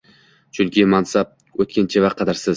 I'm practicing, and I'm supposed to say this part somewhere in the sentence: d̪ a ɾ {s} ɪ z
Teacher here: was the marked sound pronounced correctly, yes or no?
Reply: yes